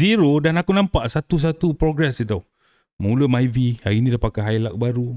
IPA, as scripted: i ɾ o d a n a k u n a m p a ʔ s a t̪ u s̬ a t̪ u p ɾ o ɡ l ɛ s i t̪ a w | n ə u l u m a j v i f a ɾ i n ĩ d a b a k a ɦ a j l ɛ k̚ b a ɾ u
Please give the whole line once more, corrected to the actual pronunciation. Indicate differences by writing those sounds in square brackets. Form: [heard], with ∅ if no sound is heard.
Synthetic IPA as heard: i ɾ o d a n a k u n a m p a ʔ s a t̪ u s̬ a t̪ u p ɾ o ɡ [ɾ] ɛ s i t̪ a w | [m] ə u l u m a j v i [h] a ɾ i n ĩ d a [p] a k a ɦ a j l [a] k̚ b a ɾ u